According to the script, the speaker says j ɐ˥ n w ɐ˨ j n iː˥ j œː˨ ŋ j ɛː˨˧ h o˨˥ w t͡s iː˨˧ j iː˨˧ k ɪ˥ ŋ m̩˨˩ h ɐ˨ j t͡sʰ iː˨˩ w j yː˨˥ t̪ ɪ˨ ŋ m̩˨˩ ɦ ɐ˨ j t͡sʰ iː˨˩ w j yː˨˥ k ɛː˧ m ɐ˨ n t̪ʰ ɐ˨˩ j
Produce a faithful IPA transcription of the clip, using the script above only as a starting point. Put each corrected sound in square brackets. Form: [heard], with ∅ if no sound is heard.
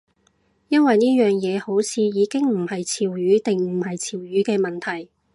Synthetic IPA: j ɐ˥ n w ɐ˨ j n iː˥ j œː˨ ŋ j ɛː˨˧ h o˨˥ w [t͡sʰ] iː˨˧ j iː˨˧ k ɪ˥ ŋ m̩˨˩ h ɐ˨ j t͡sʰ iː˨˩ w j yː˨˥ t̪ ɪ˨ ŋ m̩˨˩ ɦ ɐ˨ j t͡sʰ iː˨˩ w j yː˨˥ k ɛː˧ m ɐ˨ n t̪ʰ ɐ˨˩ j